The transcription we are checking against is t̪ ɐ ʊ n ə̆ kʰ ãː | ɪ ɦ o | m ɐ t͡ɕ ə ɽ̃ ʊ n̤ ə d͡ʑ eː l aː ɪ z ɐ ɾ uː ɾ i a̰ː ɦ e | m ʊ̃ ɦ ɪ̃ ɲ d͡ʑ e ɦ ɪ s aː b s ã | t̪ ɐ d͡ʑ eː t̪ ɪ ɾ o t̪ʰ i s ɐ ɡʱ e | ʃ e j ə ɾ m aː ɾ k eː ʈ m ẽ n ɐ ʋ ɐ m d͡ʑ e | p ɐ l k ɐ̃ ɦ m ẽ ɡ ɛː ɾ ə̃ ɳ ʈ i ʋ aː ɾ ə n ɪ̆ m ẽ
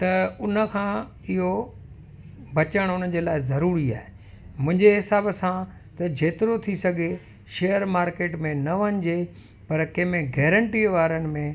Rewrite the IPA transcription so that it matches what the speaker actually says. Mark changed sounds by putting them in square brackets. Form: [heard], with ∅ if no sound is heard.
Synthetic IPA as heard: t̪ ɐ ʊ n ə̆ kʰ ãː | ɪ ɦ o | [b] ɐ t͡ɕ ə ɽ̃ ʊ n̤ ə d͡ʑ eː l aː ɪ z ɐ ɾ uː ɾ i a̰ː ɦ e | m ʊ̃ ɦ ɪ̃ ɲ d͡ʑ e ɦ ɪ s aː b s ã | t̪ ɐ d͡ʑ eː t̪ ɪ ɾ o t̪ʰ i s ɐ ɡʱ e | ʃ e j ə ɾ m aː ɾ k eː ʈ m ẽ n ɐ ʋ ɐ [ɲ] d͡ʑ e | p ɐ [ɾ] k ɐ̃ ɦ m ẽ ɡ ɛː ɾ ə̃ ɳ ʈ i ʋ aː ɾ ə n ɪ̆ m ẽ